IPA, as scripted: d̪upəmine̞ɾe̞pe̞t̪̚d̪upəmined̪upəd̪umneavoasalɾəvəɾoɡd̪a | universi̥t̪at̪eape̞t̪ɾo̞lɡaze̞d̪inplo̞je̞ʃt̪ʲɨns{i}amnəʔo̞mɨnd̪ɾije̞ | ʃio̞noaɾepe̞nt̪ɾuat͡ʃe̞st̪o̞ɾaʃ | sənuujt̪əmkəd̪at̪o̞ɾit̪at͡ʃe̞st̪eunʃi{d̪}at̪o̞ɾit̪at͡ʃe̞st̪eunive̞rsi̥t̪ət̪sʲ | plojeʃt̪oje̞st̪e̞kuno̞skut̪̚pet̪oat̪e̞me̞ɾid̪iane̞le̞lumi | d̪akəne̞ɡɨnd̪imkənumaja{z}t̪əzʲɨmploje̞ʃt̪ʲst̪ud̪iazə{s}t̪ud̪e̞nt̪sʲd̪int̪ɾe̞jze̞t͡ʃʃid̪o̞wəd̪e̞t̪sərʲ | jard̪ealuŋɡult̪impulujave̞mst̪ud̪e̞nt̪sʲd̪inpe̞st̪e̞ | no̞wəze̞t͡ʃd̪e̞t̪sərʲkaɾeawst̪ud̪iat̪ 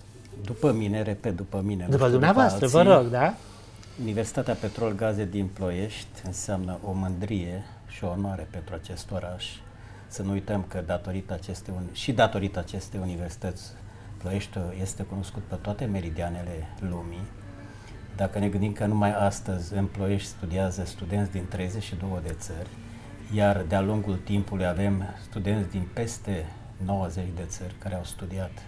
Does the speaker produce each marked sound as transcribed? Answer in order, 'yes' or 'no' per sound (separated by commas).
no, yes, no, yes